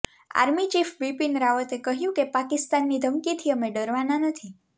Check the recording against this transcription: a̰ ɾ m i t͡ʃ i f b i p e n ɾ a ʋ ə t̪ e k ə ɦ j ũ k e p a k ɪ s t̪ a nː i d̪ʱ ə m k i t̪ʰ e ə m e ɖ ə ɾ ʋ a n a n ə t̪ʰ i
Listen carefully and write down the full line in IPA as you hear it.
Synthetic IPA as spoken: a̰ ɾ m i t͡ʃ i f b i p i n ɾ a ʋ ə t̪ e k ə ɦ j ũ k e p a k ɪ s t̪ a nː i d̪ʱ ə m k i t̪ʰ i ə m e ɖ ə ɾ ʋ a n a n ə t̪ʰ i

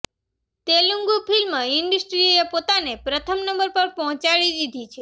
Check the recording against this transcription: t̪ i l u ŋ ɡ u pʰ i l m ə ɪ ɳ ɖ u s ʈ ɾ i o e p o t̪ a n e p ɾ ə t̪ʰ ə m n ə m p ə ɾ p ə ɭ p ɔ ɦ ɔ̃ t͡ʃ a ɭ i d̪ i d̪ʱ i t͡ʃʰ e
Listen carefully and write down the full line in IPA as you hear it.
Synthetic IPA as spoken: t̪ e l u ŋ ɡ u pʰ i l m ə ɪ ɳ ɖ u s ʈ ɾ i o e p o t̪ a n e p ɾ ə t̪ʰ ə m n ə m b ə ɾ p ə ɾ p ɔ ɦ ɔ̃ t͡ʃ a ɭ i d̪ i d̪ʱ i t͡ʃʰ e

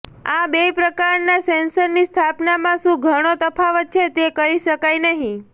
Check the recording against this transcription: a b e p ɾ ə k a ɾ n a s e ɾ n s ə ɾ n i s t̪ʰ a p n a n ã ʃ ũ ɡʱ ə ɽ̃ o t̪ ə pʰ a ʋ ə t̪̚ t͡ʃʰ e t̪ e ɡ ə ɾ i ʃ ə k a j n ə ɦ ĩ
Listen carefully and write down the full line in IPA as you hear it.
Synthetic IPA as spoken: a b e p ɾ ə k a ɾ n a s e n s ə ɾ n i s t̪ʰ a p n a m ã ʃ ũ ɡʱ ə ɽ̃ o t̪ ə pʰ a ʋ ə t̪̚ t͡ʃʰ e t̪ e k ə ɾ i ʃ ə k a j n ə ɦ ĩ

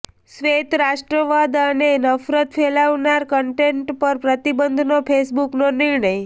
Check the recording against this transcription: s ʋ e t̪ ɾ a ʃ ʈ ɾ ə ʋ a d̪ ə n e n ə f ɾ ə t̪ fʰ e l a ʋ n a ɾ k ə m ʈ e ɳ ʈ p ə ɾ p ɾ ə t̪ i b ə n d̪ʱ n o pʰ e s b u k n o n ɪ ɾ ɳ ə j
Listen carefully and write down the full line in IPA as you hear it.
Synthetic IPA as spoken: s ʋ e t̪ ɾ a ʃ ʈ ɾ ə ʋ a d̪ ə n e n ə f ɾ ə t̪ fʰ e l a ʋ n a ɾ k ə ɳ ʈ e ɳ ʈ p ə ɾ p ɾ ə t̪ i b ə n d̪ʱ n o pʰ e s b u k n o n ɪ ɾ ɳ ə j

